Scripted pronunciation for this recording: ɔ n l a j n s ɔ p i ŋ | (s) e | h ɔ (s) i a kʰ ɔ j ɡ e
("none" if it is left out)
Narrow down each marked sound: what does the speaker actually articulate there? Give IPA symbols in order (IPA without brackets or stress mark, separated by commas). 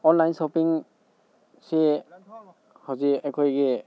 s, z